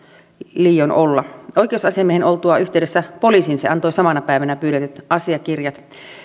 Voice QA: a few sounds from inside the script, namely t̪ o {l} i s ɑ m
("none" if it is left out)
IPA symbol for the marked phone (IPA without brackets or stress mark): none